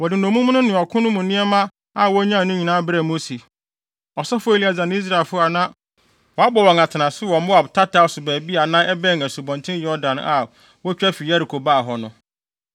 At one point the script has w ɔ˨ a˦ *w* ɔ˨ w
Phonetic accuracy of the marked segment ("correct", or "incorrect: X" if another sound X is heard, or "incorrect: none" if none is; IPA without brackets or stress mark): incorrect: b